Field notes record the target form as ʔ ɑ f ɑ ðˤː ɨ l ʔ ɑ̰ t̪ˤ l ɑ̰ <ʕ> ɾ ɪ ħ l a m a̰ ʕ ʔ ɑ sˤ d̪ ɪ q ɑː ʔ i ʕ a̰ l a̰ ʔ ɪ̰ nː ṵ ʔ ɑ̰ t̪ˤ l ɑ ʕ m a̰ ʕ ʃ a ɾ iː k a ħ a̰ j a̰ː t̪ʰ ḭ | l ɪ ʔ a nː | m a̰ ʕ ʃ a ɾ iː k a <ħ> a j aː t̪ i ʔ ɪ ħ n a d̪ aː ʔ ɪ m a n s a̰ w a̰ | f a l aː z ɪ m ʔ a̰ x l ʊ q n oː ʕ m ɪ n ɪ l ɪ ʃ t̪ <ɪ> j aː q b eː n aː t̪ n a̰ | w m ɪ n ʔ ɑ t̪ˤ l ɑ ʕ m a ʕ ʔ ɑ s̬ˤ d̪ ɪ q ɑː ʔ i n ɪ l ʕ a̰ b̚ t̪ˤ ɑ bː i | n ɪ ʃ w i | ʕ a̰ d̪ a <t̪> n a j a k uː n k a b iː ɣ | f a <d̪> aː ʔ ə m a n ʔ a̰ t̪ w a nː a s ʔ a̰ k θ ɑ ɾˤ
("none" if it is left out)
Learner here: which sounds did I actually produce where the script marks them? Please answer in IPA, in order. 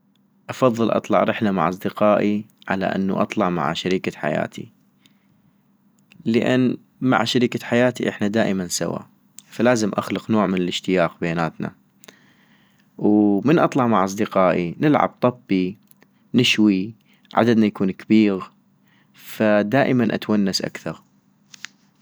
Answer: ʕ, ħ, ɪ, d̪, d̪

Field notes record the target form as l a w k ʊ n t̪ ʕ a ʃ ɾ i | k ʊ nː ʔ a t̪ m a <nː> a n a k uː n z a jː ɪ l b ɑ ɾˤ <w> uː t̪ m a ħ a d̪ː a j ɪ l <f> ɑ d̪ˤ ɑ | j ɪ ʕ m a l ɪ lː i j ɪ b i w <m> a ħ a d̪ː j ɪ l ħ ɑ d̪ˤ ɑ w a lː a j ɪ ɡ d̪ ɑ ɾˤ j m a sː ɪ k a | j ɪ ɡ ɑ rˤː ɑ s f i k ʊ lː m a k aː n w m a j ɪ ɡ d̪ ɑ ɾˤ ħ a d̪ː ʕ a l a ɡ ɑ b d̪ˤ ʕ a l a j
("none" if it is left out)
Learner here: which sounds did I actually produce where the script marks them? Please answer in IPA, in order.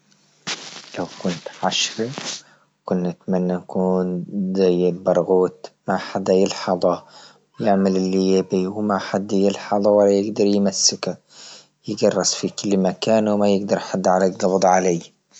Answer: nː, ɣ, ħ, m

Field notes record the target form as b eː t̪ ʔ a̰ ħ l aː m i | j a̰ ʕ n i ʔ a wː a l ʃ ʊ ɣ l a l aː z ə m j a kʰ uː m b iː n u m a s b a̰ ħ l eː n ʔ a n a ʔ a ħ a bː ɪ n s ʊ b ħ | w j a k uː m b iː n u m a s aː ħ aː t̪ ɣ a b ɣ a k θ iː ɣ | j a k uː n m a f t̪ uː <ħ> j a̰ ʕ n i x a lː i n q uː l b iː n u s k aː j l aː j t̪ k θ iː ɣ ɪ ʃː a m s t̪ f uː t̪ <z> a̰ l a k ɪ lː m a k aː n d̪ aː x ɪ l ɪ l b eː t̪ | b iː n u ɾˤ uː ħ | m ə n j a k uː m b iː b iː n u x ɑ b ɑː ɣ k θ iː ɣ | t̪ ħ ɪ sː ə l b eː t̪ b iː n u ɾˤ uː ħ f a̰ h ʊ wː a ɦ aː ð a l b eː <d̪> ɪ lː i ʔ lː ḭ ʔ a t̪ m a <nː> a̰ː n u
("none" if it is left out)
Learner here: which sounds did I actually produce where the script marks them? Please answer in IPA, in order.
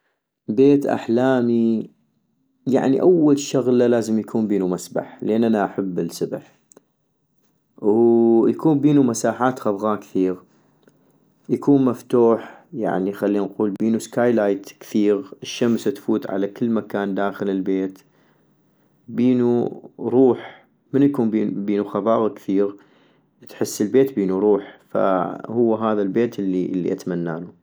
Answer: ħ, ʕ, t̪, nː

